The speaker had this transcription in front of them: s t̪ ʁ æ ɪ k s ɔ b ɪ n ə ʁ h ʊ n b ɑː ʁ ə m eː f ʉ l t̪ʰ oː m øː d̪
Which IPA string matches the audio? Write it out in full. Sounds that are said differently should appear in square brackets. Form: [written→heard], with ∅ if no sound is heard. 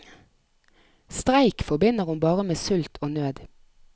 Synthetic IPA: s t̪ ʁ æ ɪ k [s→f] ɔ b ɪ n ə ʁ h ʊ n b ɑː ʁ ə m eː [f→s] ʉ l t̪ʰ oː [m→n] øː d̪